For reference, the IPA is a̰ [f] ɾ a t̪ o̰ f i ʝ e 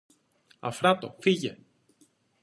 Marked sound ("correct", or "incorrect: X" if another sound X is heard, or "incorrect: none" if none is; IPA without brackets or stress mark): correct